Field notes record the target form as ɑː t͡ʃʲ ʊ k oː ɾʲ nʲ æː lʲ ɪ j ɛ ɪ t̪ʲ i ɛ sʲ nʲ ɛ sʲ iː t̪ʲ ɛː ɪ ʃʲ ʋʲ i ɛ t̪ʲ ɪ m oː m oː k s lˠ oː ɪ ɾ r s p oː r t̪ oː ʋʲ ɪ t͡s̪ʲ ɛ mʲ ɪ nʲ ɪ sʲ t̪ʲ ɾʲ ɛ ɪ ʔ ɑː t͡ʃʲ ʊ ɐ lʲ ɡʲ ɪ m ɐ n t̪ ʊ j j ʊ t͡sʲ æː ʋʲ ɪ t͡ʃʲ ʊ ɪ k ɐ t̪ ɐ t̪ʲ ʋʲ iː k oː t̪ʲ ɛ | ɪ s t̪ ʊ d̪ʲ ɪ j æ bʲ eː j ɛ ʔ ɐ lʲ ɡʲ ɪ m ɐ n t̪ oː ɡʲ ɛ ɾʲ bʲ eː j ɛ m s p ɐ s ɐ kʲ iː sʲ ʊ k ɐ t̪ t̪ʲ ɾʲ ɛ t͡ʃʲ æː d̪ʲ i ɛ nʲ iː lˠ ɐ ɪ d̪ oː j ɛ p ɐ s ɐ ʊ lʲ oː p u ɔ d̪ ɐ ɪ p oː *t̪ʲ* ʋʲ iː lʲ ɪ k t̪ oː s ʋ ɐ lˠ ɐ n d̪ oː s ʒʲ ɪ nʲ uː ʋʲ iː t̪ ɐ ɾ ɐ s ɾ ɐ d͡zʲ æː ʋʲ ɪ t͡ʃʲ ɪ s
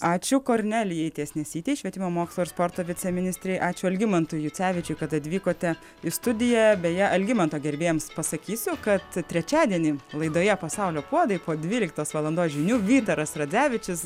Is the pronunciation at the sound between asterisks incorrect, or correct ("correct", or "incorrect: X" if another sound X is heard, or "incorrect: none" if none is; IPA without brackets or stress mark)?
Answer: incorrect: d̪ʲ